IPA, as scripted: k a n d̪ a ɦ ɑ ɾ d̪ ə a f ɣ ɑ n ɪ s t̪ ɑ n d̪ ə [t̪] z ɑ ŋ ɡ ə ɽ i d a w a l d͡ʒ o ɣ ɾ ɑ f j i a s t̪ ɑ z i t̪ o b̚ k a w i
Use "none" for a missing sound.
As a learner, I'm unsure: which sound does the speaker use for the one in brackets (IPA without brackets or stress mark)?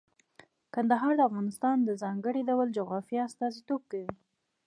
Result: none